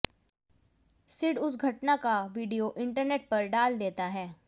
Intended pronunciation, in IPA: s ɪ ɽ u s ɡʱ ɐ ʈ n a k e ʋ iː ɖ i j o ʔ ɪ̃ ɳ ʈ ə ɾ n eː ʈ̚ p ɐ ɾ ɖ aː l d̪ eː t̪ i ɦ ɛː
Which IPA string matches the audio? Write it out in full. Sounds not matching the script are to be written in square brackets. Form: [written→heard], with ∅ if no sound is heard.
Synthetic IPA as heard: s ɪ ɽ [u→ʊ] s ɡʱ ɐ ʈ n a k [e→a] ʋ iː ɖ i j o ʔ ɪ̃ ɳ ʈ ə ɾ n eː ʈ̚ p ɐ ɾ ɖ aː l d̪ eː t̪ [i→a] ɦ ɛː